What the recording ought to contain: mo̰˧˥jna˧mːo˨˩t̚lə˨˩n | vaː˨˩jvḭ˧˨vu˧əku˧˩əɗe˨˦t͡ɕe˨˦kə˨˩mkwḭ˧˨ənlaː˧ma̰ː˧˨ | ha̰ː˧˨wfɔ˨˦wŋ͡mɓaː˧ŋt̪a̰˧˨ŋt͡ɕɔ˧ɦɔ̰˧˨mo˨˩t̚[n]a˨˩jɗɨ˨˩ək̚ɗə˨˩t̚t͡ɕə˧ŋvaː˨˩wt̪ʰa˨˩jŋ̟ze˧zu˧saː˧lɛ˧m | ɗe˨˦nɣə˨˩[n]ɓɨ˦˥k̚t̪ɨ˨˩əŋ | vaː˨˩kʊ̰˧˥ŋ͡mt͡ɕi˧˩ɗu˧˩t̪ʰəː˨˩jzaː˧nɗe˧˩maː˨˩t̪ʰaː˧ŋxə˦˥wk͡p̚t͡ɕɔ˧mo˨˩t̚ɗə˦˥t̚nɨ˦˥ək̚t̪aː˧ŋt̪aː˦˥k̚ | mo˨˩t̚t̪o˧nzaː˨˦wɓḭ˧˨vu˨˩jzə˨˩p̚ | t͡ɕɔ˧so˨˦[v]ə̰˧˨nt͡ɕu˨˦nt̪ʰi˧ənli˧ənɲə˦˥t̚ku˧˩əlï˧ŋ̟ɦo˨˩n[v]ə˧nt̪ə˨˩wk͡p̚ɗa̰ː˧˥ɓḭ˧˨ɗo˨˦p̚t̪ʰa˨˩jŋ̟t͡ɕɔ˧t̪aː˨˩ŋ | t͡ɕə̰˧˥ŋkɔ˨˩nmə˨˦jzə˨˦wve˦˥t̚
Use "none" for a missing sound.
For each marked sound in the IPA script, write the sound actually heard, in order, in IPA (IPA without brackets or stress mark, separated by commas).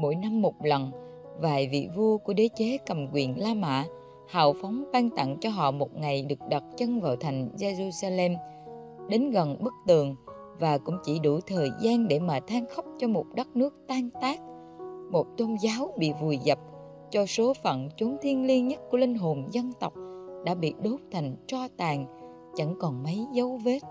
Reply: ŋ, n, f, z